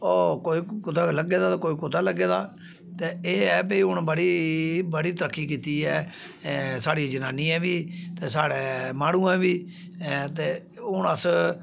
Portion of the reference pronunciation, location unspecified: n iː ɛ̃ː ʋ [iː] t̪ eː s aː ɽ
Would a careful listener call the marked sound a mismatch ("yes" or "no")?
no